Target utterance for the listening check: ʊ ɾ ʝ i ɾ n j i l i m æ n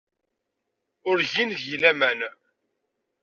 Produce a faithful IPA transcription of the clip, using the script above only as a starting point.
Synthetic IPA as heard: ʊ ɾ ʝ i n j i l æ m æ n